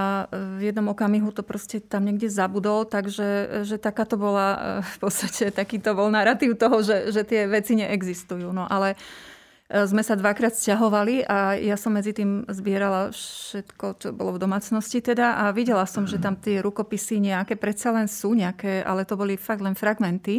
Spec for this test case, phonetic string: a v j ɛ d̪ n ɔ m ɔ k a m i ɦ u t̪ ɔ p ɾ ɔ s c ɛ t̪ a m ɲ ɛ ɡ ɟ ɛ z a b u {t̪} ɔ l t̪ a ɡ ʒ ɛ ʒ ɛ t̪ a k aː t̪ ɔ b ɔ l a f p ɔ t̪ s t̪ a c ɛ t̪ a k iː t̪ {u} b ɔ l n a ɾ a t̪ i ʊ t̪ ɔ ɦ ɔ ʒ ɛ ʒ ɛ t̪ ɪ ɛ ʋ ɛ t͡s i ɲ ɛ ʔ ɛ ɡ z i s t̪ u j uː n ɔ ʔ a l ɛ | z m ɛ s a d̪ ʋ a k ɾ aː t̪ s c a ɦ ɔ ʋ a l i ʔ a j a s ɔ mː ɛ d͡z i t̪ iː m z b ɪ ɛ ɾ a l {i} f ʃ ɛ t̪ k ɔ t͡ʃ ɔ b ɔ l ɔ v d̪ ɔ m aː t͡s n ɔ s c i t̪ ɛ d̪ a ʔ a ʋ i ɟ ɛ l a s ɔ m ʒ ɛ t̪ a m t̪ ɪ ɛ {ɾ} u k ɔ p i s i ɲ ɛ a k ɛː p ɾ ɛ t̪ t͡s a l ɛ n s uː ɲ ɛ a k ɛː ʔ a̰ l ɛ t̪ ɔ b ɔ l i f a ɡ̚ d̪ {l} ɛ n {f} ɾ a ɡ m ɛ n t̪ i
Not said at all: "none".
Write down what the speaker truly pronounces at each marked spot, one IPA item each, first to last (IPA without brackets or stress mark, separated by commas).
d̪, ɔ, a, ɾ, l, f